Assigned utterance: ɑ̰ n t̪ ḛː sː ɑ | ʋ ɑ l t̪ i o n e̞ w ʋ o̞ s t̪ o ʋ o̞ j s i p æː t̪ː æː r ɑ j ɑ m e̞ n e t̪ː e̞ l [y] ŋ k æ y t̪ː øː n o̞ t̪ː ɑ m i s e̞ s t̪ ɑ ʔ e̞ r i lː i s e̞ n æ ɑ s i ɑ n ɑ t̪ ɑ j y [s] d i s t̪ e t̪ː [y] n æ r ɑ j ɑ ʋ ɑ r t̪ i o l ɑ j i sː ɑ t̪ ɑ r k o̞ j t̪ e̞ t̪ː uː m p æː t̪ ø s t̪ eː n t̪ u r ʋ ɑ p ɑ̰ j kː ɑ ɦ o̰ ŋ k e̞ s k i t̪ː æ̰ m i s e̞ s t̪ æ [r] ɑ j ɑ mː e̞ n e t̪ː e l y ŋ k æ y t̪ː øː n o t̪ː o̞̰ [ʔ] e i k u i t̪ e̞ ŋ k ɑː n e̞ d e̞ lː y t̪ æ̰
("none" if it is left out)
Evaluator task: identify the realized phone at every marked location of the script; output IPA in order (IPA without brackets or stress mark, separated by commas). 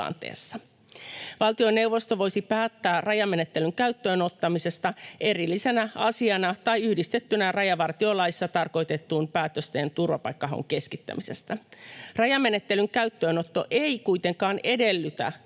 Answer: y, h, y, r, ʔ